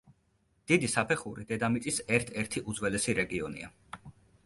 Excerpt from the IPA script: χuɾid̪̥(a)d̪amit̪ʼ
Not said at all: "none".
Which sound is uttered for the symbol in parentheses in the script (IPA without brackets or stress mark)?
ɛ